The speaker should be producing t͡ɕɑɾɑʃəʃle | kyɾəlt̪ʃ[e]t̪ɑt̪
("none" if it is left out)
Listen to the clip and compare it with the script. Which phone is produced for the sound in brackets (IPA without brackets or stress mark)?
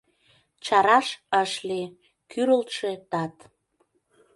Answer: e